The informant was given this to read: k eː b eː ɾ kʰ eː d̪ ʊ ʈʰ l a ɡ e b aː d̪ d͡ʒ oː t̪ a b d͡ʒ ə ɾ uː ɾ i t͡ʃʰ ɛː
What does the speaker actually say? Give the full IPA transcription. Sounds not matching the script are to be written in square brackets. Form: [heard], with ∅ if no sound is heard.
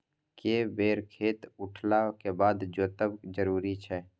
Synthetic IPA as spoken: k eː b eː ɾ kʰ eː [t̪] ʊ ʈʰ l a [k] e b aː d̪ d͡ʒ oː t̪ [ə] b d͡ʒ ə ɾ uː ɾ i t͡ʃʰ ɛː